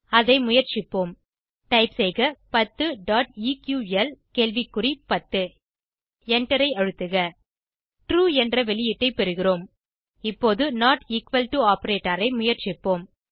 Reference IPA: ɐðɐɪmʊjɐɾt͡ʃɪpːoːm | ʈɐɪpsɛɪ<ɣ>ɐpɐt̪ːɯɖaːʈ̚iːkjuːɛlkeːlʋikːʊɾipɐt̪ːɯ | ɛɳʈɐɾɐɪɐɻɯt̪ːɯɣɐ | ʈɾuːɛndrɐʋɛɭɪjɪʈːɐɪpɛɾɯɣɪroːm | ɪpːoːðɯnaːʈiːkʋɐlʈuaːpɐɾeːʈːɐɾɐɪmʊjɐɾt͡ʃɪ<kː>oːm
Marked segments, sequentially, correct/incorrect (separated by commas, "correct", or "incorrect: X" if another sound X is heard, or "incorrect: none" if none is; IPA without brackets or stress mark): correct, incorrect: pː